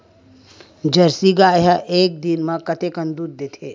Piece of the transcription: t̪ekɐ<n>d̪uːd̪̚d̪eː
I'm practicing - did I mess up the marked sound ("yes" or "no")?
no